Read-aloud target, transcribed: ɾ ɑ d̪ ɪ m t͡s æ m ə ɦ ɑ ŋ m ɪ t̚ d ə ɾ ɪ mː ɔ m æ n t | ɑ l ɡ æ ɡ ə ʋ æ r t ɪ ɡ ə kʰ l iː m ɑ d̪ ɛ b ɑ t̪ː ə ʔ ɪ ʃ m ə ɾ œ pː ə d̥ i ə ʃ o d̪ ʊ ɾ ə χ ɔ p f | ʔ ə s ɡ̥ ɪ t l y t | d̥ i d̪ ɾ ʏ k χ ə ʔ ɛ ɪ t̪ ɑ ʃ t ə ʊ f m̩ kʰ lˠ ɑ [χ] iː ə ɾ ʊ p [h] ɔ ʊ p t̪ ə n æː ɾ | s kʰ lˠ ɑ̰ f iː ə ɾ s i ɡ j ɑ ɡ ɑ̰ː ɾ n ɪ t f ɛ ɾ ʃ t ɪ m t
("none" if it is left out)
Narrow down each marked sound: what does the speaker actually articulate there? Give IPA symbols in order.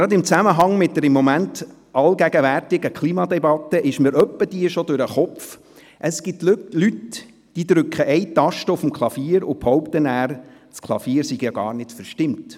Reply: f, h

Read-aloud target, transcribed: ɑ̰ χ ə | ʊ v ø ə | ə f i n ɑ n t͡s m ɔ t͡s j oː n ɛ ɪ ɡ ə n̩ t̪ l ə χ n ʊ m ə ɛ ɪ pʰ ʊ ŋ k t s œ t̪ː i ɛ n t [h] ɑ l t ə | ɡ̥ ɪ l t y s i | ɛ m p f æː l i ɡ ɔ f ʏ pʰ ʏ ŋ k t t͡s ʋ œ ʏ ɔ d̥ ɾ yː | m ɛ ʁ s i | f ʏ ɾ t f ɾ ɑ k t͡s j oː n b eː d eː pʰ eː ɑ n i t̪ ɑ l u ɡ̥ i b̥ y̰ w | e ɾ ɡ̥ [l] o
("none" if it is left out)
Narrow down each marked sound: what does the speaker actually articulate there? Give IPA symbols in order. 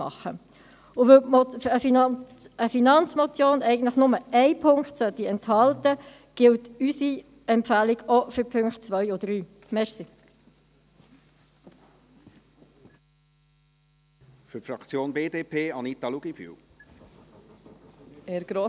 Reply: h, ɾ

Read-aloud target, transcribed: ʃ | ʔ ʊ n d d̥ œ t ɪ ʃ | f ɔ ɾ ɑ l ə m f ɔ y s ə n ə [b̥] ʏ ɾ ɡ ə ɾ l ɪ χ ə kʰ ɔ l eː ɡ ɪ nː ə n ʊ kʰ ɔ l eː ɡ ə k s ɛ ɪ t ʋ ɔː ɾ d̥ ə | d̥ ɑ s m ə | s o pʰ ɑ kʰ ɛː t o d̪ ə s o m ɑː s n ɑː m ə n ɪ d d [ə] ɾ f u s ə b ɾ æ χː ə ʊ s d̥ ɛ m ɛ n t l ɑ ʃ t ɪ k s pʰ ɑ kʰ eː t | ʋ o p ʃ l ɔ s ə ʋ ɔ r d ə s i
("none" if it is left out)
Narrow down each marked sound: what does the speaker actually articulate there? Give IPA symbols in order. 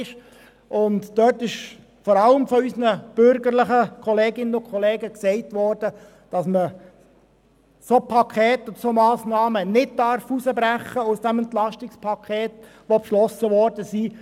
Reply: b̥, ɑ

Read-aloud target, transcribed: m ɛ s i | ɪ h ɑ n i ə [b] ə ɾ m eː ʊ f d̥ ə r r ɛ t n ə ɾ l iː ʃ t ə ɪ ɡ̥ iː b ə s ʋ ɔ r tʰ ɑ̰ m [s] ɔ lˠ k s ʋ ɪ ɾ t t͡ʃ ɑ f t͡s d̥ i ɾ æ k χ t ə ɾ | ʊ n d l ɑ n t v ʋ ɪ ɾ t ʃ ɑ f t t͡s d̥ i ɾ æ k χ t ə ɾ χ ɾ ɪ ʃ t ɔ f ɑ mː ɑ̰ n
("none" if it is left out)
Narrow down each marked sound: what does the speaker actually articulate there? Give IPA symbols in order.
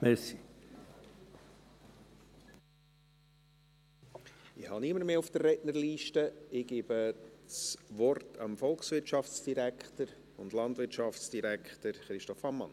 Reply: m, f

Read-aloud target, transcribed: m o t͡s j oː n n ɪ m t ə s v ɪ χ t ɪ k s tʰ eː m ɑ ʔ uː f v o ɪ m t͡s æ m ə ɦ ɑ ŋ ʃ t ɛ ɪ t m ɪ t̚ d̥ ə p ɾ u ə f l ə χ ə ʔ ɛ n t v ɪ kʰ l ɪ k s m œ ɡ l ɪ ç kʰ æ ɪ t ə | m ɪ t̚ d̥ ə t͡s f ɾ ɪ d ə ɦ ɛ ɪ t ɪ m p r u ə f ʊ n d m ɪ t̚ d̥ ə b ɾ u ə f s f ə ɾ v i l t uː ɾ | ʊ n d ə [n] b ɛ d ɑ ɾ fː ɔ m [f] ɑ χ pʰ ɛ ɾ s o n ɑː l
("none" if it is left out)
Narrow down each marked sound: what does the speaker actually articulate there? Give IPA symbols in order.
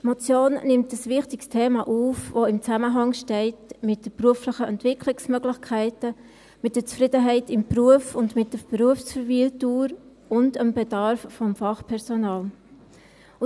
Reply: m, f

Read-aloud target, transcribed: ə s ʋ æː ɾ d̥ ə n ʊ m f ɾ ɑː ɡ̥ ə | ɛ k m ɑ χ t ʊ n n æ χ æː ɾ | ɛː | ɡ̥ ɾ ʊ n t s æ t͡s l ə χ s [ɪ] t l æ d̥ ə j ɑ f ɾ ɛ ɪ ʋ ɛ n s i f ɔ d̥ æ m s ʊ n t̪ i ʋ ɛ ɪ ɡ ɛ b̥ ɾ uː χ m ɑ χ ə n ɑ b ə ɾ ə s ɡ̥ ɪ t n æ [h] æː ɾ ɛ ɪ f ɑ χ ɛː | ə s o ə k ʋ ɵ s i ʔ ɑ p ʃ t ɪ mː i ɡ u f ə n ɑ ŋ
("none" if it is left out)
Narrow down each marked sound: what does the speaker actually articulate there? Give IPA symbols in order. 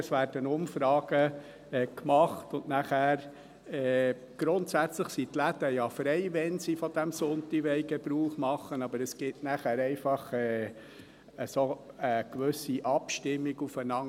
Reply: i, χ

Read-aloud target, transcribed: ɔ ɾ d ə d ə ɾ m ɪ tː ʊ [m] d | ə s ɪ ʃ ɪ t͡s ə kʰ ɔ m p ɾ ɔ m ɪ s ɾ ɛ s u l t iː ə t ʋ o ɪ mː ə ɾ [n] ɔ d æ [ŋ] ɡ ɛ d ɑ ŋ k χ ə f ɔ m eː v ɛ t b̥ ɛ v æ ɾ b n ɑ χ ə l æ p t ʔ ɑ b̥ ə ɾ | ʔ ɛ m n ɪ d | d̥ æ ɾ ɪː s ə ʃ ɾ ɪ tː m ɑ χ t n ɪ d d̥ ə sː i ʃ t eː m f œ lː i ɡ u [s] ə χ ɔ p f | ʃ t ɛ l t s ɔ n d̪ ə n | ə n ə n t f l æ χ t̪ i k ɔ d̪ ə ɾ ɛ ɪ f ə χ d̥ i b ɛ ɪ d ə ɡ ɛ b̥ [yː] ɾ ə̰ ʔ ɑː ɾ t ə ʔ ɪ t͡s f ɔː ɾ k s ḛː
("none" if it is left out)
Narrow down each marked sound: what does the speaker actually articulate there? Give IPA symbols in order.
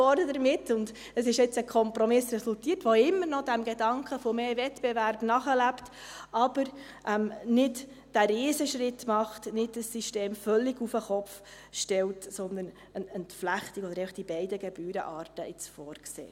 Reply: n, n, m, f, yː

